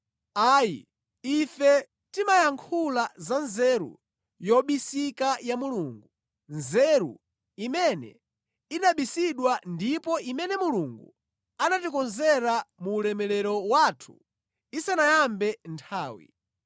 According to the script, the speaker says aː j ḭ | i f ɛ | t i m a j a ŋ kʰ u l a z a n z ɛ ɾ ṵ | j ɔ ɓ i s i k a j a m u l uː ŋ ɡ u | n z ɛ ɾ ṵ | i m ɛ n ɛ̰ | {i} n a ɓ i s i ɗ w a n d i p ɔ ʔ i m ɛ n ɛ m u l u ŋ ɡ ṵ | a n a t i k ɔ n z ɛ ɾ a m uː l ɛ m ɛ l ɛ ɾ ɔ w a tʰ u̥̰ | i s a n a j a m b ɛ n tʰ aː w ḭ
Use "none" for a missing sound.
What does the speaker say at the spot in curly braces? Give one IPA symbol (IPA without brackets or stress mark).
i